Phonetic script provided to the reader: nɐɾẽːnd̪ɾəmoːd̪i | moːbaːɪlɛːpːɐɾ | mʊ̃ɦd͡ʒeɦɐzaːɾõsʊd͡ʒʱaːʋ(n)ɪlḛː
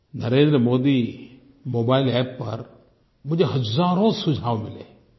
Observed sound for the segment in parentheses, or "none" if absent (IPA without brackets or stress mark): m